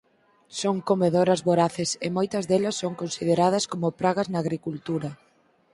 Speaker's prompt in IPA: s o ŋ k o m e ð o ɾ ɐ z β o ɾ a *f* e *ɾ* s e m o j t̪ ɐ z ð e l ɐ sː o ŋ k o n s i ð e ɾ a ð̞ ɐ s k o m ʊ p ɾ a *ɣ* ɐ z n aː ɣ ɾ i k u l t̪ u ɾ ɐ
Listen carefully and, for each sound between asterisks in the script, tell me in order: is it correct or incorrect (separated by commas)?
incorrect, incorrect, correct